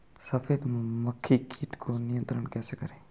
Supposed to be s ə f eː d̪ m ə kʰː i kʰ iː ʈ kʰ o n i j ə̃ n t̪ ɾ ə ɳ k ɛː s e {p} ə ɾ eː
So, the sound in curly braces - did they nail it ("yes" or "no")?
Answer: no